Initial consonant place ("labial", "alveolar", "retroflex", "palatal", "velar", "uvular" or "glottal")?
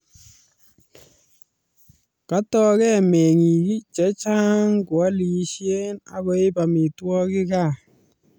velar